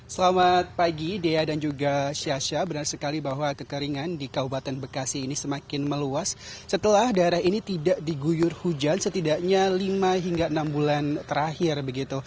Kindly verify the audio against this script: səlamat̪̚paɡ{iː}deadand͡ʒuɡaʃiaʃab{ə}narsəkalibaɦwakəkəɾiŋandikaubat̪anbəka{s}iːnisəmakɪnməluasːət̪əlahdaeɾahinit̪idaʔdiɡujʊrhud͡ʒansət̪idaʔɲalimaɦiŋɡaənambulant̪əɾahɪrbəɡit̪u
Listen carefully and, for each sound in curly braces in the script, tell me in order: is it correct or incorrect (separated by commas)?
incorrect, correct, correct